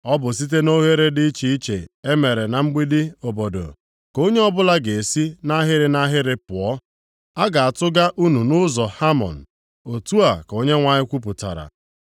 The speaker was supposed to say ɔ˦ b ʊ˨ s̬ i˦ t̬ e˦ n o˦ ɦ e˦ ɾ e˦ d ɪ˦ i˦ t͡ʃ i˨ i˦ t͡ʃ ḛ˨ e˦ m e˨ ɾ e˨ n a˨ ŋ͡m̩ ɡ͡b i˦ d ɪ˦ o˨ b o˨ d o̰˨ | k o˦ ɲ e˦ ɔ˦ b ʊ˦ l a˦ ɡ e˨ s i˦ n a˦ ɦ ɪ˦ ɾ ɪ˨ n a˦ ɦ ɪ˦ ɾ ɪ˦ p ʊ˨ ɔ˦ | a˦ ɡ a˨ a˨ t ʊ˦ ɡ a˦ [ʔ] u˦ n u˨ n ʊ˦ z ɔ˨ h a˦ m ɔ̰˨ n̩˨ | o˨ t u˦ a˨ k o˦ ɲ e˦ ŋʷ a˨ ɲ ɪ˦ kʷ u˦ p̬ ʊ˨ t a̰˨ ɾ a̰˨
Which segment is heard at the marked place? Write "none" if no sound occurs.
ʔ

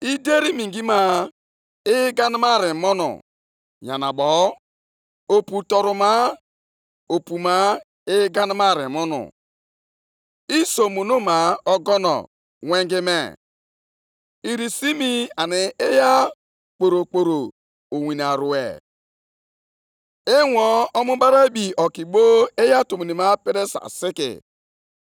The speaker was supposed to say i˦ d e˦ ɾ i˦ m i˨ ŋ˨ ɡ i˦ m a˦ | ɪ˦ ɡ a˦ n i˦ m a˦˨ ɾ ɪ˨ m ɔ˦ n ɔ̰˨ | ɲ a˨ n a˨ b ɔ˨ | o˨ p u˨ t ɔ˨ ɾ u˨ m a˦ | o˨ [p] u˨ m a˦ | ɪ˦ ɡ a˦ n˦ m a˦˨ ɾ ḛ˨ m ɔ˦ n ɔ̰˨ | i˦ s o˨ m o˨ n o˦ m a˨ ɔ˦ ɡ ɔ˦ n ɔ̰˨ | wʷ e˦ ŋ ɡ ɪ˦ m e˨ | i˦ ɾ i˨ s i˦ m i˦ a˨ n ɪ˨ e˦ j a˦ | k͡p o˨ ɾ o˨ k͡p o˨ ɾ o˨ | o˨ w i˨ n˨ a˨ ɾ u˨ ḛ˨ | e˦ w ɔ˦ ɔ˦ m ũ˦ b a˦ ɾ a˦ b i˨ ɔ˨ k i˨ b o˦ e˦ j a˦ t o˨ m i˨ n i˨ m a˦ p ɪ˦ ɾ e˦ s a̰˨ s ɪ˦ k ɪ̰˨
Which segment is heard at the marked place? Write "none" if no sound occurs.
p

